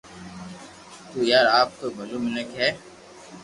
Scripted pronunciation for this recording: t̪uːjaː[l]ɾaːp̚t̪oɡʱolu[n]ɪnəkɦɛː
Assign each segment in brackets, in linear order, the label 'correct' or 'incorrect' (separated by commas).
incorrect, incorrect